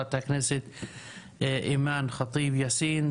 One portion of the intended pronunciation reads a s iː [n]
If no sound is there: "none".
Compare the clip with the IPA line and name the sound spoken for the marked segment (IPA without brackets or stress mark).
n